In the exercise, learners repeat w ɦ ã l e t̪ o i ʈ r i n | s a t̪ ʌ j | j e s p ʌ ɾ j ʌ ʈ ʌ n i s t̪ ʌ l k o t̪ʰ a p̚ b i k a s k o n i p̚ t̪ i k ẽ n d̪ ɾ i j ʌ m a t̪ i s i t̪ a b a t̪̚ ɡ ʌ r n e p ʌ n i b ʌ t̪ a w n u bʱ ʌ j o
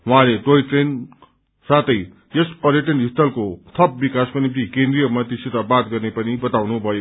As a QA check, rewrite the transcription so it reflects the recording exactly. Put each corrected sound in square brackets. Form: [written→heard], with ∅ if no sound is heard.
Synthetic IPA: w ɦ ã l e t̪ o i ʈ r [i→e] n | s a t̪ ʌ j | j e s p ʌ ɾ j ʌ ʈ ʌ n i s t̪ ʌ l k o t̪ʰ [a→ʌ] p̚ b i k a s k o n i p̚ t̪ i k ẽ n d̪ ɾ i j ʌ m [a→ʌ] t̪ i s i t̪ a b a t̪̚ ɡ ʌ r n e p ʌ n i b ʌ t̪ a w n u bʱ ʌ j o